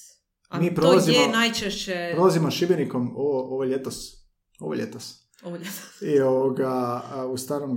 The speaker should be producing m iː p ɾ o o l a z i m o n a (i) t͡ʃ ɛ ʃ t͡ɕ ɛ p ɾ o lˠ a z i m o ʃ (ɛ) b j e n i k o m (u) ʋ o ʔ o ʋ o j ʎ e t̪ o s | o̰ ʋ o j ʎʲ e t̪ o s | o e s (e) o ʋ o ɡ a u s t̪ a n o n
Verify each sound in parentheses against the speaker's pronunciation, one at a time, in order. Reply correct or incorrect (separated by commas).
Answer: incorrect, incorrect, incorrect, incorrect